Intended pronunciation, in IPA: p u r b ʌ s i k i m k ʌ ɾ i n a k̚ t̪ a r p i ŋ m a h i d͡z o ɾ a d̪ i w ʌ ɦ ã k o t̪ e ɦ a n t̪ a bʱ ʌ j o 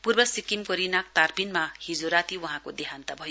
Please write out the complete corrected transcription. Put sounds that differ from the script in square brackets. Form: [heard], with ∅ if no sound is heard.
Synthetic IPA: p u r b ʌ s i k i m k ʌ ɾ i n a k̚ t̪ a r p i [n] m a h i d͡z o ɾ a [t̪] i w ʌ ɦ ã k o [d̪] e ɦ a n t̪ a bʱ ʌ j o